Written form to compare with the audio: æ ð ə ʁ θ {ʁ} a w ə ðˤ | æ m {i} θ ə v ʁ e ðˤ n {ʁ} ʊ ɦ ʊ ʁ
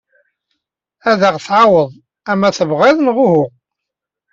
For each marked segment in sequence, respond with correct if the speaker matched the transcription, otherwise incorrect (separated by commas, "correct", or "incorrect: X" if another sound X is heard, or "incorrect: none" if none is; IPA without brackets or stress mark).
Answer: incorrect: ʕ, incorrect: æ, correct